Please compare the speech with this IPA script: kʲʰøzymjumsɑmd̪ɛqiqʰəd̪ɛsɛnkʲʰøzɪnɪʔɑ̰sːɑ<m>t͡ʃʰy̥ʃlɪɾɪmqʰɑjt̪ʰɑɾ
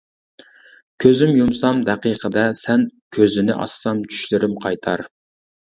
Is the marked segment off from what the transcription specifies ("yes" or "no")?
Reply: no